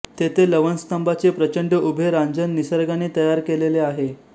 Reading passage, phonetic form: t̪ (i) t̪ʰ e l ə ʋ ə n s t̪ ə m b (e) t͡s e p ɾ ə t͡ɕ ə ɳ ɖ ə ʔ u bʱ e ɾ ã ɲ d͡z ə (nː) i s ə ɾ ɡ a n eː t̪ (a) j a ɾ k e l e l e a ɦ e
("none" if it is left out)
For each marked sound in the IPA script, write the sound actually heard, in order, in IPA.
e, a, nː, ə

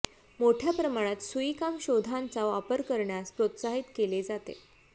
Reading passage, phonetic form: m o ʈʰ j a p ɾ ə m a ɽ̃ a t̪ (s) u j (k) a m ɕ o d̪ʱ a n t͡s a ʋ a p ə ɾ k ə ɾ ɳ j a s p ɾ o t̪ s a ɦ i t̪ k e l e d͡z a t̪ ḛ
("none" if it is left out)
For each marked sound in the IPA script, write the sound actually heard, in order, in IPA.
s, k

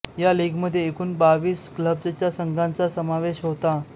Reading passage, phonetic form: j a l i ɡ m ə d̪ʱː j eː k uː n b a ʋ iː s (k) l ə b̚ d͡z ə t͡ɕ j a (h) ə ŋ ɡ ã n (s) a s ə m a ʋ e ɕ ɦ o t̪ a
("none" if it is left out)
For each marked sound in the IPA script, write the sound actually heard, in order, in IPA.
k, s, t͡s

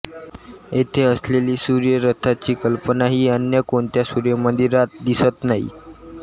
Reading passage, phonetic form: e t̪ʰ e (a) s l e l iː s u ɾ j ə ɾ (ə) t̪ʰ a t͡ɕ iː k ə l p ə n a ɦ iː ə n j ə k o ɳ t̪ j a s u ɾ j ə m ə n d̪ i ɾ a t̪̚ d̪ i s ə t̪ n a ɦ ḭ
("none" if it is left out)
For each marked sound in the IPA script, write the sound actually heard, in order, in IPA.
ə, ə

